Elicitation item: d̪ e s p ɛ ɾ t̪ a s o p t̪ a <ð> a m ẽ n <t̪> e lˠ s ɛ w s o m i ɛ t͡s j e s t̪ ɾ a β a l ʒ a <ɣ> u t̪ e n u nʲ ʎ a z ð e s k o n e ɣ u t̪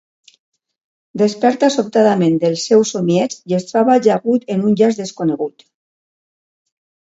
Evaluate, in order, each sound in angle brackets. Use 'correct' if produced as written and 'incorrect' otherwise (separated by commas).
correct, incorrect, correct